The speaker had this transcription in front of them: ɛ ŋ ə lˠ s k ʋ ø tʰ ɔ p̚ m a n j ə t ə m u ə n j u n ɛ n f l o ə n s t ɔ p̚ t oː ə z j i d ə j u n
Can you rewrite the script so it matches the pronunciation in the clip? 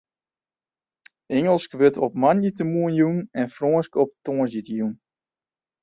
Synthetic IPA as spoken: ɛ ŋ ə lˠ s k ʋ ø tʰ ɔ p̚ m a n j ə t ə m u ə n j u n ɛ n f r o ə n s k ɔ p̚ t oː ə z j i t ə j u n